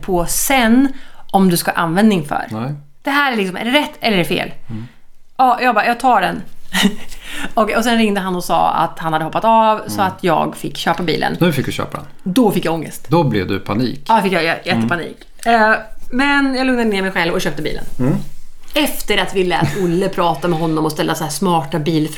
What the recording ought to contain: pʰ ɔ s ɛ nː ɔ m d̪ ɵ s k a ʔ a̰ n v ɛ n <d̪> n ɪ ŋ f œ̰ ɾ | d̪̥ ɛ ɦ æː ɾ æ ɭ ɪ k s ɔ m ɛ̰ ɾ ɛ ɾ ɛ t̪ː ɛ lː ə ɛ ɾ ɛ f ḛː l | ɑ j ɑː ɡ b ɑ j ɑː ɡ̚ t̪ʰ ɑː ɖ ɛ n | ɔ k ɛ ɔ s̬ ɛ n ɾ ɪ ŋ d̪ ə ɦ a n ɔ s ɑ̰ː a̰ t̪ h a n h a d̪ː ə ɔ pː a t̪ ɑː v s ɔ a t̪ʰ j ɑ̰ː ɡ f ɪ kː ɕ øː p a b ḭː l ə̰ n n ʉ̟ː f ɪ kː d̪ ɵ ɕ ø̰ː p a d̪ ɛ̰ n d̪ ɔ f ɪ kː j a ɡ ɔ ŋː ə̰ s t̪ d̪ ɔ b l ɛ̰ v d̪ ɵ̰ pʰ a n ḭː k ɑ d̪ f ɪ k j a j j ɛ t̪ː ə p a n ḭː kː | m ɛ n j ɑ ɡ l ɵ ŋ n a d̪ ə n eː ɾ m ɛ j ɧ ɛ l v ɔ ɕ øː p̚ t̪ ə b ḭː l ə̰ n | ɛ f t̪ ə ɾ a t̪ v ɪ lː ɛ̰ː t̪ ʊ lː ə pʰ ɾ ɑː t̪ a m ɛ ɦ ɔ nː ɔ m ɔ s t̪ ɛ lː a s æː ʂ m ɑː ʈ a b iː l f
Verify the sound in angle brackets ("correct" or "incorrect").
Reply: correct